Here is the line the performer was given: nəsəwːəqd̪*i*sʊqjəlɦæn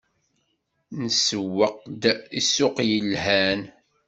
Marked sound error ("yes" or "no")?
no